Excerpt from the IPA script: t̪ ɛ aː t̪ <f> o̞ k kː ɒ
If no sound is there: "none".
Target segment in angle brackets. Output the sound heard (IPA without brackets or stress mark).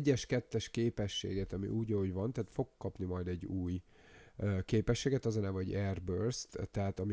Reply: f